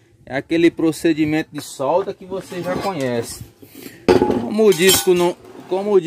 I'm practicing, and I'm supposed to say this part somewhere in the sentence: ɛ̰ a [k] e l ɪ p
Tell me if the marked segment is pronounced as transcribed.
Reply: yes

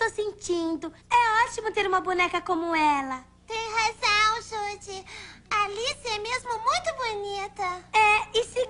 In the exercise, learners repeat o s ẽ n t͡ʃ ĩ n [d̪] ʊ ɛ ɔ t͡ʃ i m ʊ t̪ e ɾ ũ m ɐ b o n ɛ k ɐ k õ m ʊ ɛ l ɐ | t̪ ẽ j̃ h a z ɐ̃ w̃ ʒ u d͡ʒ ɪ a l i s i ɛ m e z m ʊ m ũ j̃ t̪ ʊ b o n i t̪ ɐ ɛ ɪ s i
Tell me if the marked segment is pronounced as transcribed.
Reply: yes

